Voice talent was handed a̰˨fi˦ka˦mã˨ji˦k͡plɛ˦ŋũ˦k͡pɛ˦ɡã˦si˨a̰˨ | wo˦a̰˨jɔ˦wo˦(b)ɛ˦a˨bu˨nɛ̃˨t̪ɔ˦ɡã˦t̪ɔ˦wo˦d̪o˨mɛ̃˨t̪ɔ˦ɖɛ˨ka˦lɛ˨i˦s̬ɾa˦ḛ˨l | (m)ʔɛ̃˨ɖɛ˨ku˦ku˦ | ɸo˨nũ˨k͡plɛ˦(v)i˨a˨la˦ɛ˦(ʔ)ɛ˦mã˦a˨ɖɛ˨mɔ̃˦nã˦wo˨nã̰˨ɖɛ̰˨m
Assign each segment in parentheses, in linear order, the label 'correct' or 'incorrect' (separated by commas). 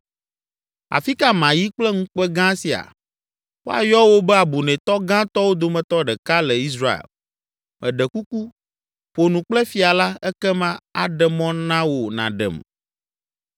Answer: correct, correct, incorrect, incorrect